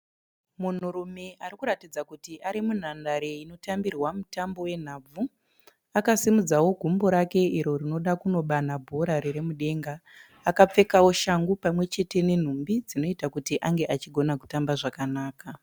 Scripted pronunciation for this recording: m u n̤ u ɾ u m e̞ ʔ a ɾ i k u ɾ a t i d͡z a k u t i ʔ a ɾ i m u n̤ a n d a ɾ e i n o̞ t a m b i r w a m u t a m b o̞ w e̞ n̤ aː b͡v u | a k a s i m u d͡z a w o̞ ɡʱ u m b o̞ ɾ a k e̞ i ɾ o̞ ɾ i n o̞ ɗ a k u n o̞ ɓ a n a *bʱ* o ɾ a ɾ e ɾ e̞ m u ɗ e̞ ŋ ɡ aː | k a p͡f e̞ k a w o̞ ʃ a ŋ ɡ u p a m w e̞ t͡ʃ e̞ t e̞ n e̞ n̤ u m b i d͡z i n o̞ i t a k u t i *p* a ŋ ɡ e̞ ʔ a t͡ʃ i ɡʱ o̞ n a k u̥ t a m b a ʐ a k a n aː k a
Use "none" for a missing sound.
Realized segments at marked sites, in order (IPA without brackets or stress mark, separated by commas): bʱ, ʔ